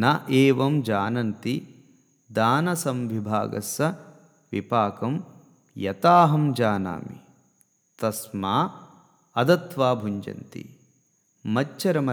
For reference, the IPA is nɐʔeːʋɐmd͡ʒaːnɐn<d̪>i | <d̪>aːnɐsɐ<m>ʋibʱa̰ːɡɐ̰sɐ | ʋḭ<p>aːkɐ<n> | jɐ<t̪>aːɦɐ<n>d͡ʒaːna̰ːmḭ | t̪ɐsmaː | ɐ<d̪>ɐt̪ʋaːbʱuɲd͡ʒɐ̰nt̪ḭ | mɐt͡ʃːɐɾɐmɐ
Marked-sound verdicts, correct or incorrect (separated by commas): incorrect, correct, correct, correct, incorrect, correct, incorrect, correct